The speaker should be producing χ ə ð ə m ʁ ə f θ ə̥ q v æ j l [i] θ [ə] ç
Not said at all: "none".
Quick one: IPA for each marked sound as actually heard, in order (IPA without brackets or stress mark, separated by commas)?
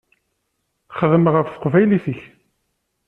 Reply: i, ə